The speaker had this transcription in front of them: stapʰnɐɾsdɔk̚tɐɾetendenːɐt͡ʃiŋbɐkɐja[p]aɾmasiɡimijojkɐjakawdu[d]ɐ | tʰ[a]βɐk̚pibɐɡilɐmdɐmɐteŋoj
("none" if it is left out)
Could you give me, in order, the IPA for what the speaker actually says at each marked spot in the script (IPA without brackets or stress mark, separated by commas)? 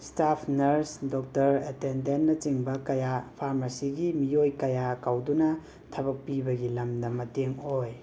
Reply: pʰ, n, ɐ